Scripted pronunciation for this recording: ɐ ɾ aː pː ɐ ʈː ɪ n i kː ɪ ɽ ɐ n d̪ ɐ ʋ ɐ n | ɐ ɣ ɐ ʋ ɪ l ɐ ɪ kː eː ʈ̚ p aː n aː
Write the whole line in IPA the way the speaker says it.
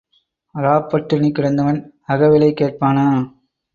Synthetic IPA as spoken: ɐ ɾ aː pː ɐ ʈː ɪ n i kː ɪ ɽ ɐ n d̪ ɐ ʋ ɐ n | ɐ ɣ ɐ ʋ ɪ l ɐ ɪ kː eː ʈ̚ p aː n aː